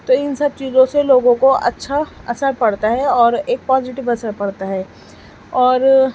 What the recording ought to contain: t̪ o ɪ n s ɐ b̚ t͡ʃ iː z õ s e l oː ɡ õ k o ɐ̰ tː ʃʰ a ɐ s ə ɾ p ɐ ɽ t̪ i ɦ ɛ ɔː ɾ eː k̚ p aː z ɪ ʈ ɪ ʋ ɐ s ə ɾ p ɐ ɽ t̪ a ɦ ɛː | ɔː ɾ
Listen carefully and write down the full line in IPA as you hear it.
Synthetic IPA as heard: t̪ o ɪ n s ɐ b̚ t͡ʃ iː z õ s e l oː ɡ õ k o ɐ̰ tː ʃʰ a ɐ s ə ɾ p ɐ ɽ t̪ a ɦ ɛ ɔː ɾ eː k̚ p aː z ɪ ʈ ɪ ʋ ɐ s ə ɾ p ɐ ɽ t̪ a ɦ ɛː | ɔː ɾ